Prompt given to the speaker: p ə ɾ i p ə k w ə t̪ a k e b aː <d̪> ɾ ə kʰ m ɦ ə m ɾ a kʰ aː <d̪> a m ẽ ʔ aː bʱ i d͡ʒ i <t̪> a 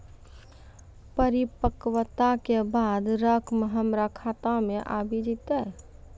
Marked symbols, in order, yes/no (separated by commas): yes, no, yes